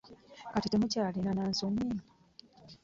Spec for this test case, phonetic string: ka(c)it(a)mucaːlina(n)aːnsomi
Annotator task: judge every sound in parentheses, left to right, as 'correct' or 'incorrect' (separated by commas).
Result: incorrect, incorrect, correct